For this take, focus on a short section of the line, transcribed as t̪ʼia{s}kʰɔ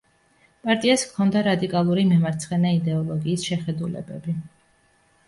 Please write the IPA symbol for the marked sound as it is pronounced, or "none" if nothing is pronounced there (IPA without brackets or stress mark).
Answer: s